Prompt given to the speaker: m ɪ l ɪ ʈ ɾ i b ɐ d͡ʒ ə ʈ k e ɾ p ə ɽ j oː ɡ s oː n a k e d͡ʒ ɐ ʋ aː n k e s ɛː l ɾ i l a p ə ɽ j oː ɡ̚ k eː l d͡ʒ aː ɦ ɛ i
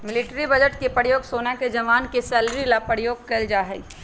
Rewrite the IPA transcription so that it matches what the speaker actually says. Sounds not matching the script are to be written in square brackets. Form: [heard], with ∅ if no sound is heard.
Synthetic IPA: m ɪ l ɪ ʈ ɾ i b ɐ d͡ʒ ə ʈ k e [∅] p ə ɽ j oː ɡ s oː n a k e d͡ʒ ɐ ʋ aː n k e s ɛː l ɾ i l a p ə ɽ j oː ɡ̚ k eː l d͡ʒ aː ɦ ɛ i